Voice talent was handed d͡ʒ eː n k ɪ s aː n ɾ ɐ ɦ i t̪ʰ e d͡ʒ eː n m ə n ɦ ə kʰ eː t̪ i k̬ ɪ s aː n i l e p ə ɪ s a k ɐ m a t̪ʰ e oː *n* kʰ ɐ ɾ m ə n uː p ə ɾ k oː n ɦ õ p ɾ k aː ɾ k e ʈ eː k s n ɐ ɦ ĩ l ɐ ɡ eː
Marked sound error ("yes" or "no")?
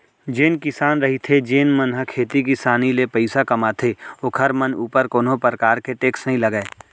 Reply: yes